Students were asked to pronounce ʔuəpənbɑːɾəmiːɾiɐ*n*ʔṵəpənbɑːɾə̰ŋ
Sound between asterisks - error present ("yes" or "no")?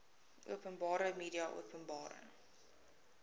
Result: yes